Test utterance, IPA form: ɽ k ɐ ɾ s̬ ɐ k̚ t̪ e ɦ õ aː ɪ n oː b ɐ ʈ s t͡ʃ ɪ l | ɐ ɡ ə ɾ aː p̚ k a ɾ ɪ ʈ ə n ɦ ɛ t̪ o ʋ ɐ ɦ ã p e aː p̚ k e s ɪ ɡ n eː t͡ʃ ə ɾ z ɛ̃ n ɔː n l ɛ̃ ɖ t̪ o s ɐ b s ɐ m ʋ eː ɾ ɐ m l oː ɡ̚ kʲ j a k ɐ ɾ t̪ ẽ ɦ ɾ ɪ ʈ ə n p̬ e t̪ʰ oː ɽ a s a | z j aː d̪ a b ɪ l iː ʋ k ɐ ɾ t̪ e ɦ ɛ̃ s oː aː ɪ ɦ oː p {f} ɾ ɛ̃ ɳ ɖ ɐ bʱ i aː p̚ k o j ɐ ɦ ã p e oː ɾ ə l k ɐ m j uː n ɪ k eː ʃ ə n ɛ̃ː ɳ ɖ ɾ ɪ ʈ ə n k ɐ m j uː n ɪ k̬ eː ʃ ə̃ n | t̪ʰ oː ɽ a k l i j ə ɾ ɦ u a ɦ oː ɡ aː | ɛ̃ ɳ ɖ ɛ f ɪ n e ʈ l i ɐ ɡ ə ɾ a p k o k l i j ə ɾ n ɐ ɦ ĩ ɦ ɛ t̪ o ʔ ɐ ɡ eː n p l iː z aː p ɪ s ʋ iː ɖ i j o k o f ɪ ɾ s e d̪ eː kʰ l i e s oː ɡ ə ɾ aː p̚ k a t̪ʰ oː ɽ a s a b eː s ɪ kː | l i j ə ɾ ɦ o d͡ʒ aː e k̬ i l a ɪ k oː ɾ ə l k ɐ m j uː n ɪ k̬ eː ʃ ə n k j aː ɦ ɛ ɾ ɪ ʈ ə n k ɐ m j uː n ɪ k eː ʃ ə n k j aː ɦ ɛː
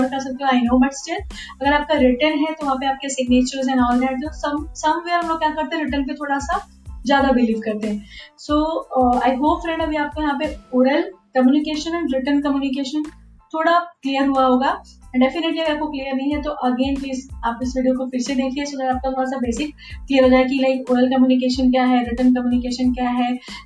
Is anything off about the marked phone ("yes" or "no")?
no